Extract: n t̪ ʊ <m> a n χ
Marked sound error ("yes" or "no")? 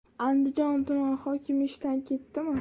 no